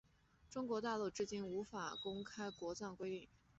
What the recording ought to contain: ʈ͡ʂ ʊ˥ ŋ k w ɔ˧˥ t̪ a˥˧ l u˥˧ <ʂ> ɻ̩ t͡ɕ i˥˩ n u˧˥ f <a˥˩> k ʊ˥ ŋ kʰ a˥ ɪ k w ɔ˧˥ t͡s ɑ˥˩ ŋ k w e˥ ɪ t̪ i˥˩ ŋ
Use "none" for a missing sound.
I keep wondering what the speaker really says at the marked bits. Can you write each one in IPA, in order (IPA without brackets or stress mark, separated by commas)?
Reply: ʈ͡ʂ, a˨˩